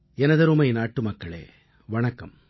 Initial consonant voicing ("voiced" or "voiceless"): voiced